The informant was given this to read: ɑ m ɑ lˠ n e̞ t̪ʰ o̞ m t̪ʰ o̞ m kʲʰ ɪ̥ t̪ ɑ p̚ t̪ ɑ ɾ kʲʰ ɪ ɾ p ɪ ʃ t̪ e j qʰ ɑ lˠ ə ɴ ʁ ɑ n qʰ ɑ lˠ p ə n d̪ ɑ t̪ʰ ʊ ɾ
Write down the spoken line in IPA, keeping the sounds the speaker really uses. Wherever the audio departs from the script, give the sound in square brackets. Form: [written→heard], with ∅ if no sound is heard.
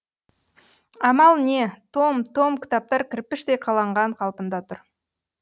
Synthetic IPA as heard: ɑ m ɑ lˠ n e̞ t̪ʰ o̞ m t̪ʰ o̞ m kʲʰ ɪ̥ t̪ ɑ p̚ t̪ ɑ ɾ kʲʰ ɪ ɾ p ɪ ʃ t̪ e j qʰ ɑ lˠ [ə→ɑ] ɴ ʁ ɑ [n→ɴ] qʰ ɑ lˠ p ə n d̪ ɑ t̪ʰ ʊ ɾ